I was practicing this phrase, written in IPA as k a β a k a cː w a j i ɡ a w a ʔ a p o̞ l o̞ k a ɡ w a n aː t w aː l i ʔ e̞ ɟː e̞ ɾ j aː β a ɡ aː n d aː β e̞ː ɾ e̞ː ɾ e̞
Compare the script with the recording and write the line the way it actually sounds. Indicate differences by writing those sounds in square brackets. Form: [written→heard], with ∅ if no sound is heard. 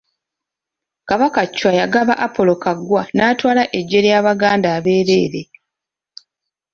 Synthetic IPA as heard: k a β a k a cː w a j [i→a] ɡ a [w→β] a ʔ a p o̞ l o̞ k a ɡ w a n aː t w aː l [i→a] ʔ e̞ ɟː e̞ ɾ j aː β a ɡ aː n d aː β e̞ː ɾ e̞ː ɾ e̞